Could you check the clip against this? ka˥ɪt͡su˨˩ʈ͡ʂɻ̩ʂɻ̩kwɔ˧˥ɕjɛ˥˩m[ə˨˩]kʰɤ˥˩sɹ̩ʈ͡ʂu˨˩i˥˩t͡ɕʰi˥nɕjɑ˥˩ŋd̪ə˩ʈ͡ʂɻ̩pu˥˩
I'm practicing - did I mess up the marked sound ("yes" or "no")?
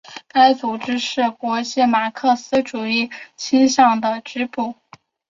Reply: yes